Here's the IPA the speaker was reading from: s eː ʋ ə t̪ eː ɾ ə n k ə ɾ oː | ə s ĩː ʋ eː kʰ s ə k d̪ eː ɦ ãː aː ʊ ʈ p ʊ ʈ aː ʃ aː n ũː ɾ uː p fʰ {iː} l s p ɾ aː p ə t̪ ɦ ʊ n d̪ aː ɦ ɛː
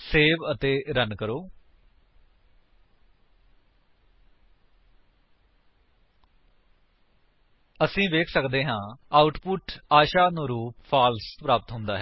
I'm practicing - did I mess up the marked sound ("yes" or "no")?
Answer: yes